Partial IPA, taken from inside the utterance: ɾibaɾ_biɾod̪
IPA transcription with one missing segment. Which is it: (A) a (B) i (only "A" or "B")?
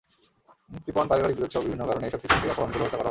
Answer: B